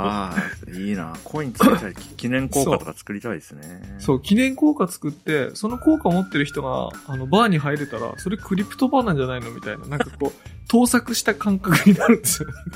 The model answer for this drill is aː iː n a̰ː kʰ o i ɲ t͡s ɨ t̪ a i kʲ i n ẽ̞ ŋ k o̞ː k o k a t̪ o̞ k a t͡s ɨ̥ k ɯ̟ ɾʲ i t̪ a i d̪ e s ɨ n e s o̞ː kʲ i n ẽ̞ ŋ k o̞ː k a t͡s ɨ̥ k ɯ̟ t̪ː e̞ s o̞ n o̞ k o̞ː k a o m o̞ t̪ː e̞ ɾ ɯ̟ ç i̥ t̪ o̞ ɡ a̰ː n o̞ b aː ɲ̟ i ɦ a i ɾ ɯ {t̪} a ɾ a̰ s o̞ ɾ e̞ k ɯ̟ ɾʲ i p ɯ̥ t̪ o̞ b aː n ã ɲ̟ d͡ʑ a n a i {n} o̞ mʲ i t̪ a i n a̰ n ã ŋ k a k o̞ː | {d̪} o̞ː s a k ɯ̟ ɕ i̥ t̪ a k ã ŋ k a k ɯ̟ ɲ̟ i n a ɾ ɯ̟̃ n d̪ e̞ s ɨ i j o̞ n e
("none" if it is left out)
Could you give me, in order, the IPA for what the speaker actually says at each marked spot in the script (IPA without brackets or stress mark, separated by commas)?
t̪, n, t̪